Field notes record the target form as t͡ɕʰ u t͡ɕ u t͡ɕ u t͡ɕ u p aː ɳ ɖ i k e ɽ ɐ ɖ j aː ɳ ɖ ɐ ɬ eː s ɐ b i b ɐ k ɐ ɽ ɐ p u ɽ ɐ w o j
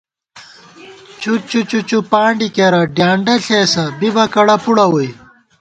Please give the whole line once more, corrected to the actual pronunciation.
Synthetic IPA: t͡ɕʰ u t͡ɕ u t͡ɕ u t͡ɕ u p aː ɳ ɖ i k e ɾ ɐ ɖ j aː ɳ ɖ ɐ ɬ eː s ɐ b i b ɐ k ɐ ɽ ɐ p u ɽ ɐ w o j